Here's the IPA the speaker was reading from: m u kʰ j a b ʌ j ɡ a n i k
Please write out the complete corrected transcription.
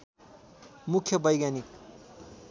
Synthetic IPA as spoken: m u kʰ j ʌ b ʌ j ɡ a n i k